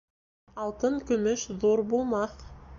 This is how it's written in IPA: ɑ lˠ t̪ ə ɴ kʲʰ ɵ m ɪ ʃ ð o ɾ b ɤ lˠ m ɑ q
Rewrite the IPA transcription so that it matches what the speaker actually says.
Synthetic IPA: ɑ lˠ t̪ ə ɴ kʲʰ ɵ m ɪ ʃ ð o ɾ b o lˠ m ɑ q